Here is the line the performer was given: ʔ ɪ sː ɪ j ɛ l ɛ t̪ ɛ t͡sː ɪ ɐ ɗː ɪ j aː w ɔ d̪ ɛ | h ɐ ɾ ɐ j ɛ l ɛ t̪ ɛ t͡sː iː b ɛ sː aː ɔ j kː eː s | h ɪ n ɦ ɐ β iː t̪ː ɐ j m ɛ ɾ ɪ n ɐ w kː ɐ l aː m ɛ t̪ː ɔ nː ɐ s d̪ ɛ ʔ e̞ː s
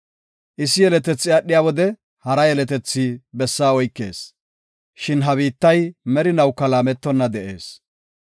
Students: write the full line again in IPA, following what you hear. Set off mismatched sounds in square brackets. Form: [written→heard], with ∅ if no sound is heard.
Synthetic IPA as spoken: ʔ ɪ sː ɪ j ɛ l ɛ t̪ ɛ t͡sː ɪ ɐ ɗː ɪ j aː w ɔ d̪ ɛ | h ɐ ɾ ɐ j ɛ l ɛ t̪ ɛ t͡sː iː b ɛ sː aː ɔ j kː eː s | [h→ʃ] ɪ n ɦ ɐ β iː t̪ː ɐ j m ɛ ɾ ɪ n ɐ w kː ɐ l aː m ɛ t̪ː ɔ nː ɐ [s→∅] d̪ ɛ ʔ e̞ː s